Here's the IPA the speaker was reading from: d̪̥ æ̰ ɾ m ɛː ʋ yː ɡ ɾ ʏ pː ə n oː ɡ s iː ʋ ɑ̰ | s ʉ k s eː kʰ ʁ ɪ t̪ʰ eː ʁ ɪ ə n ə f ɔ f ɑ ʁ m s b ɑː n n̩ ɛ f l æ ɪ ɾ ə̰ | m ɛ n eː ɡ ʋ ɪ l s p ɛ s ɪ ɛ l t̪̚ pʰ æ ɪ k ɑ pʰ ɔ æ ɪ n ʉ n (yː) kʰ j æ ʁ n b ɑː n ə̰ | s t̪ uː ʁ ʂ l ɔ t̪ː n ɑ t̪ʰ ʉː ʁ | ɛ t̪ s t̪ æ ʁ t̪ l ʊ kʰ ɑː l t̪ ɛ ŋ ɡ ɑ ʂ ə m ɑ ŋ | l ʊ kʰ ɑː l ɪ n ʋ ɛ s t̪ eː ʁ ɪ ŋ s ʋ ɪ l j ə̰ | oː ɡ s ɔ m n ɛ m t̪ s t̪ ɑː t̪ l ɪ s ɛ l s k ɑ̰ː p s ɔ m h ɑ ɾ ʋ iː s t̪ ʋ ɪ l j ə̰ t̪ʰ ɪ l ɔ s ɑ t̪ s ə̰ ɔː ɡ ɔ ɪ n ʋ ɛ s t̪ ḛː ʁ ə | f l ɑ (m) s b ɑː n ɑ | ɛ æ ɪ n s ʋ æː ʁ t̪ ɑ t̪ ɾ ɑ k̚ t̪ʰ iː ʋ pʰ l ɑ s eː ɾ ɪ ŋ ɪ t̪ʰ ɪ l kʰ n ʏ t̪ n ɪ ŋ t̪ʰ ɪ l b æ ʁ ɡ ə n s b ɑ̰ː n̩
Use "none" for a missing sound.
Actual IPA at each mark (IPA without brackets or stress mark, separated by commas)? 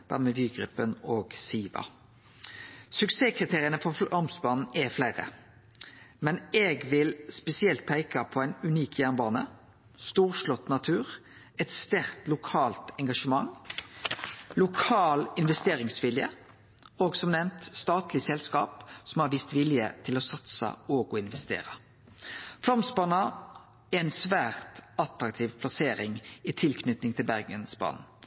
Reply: iː, m